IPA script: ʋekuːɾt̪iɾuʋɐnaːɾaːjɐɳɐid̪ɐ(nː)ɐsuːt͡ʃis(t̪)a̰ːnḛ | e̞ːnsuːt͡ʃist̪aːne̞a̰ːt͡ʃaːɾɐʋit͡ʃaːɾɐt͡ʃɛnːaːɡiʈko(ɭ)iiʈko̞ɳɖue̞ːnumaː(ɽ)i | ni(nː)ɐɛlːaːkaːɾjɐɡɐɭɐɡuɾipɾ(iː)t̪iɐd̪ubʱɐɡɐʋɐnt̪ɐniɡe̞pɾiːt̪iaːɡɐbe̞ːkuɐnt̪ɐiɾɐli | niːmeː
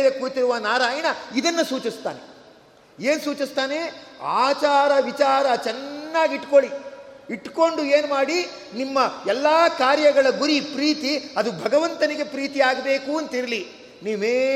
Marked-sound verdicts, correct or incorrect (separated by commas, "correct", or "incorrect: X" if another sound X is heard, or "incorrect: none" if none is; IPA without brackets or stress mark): correct, correct, correct, correct, incorrect: mː, correct